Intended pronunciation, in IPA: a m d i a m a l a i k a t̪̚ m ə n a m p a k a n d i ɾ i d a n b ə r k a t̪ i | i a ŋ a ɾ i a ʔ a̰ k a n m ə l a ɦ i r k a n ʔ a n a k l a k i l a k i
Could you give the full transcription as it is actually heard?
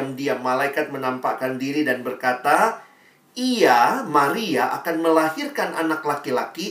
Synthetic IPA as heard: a m d i a m a l a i k a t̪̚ m ə n a m p a k a n d i ɾ i d a n b ə r k a t̪ a | i a m a ɾ i a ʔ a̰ k a n m ə l a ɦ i r k a n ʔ a n a k l a k i l a k i